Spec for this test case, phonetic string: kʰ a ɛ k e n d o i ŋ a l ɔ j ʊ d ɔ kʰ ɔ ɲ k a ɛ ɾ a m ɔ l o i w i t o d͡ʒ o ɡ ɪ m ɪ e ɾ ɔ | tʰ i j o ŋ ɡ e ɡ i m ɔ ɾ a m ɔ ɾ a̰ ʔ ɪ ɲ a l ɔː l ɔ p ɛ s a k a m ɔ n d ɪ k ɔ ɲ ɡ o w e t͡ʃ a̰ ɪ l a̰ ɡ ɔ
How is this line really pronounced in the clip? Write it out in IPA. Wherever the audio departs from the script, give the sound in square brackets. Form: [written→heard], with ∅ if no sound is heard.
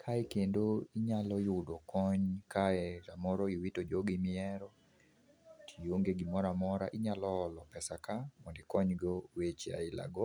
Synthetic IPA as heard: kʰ a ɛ k e n d o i [ŋ→ɲ] a l ɔ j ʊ d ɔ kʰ ɔ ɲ k a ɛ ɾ a m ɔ [l→ɾ] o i w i t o d͡ʒ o ɡ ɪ m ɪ [e→ɛ] ɾ ɔ | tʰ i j o ŋ ɡ e ɡ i m ɔ ɾ a m ɔ ɾ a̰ ʔ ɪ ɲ a l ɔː l ɔ p ɛ s a k a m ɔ n d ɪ k ɔ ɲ ɡ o w e t͡ʃ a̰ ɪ l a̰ ɡ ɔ